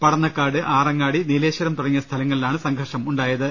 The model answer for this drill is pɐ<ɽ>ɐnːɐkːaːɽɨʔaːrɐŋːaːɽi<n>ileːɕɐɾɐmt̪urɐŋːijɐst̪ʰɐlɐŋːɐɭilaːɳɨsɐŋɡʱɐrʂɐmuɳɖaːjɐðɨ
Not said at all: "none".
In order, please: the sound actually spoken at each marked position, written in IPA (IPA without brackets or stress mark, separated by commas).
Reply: ɽ, n